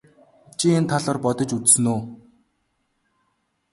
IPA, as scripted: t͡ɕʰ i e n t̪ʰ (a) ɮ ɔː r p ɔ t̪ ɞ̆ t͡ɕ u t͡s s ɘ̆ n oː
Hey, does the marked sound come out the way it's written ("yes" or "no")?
yes